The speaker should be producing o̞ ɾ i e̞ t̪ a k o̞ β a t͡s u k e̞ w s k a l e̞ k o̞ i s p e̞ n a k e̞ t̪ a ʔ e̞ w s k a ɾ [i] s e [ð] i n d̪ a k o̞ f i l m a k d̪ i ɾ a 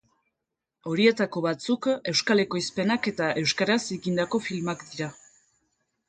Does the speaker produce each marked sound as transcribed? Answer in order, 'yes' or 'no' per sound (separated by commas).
no, no